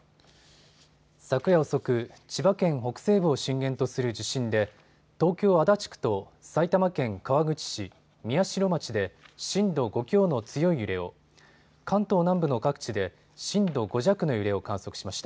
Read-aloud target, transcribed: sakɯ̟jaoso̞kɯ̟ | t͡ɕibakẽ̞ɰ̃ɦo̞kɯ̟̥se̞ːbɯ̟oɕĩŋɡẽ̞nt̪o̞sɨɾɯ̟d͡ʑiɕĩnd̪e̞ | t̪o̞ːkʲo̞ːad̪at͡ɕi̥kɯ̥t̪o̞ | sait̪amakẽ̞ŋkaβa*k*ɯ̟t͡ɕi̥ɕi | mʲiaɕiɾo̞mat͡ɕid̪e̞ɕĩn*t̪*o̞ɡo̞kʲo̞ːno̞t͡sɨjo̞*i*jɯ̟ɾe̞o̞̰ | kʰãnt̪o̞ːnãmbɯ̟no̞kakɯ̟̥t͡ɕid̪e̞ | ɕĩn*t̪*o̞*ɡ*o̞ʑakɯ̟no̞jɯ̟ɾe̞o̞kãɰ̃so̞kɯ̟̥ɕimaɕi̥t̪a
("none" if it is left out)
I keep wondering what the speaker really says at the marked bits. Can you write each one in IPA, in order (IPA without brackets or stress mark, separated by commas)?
ɡ, d̪, i, d̪, ɡ